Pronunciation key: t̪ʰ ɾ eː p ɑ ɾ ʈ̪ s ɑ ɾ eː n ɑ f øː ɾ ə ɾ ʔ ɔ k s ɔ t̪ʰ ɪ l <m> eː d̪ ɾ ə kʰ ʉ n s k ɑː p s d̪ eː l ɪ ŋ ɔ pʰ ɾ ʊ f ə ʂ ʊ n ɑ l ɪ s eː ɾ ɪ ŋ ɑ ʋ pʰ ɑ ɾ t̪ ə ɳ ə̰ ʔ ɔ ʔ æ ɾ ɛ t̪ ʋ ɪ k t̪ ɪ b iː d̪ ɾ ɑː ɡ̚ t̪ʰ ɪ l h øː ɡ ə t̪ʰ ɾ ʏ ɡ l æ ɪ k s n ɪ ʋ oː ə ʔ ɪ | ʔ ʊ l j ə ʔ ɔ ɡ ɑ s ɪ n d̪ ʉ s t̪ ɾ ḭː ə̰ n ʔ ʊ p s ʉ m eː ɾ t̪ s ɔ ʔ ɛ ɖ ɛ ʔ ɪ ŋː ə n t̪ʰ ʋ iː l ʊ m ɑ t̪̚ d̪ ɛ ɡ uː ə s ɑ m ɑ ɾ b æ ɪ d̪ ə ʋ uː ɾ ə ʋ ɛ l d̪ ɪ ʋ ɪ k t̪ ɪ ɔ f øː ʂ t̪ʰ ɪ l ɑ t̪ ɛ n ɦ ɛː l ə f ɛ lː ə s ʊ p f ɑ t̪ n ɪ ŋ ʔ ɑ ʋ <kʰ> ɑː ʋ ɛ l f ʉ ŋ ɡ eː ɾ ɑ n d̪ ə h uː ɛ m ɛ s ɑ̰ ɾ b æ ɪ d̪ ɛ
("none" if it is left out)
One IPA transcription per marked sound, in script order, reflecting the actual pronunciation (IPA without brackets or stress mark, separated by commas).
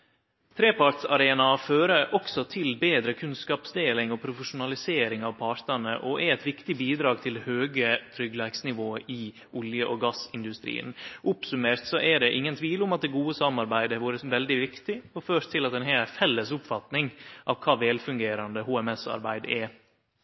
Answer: b, kʰ